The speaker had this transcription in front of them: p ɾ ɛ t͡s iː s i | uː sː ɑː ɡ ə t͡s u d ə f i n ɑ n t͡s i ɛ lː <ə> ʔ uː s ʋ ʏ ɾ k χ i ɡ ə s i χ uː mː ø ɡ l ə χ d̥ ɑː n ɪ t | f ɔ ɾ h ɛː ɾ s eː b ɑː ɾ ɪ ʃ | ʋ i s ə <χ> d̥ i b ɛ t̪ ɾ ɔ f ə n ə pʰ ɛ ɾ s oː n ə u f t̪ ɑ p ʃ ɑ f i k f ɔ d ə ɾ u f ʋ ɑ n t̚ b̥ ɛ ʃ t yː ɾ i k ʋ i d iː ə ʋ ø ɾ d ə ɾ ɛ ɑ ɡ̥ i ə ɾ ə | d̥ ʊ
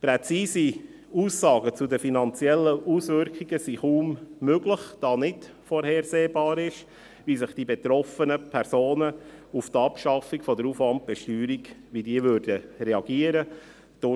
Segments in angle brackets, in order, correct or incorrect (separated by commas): correct, correct